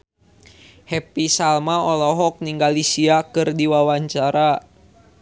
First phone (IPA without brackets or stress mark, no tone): h